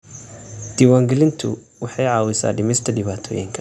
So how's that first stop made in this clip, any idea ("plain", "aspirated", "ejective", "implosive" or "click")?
plain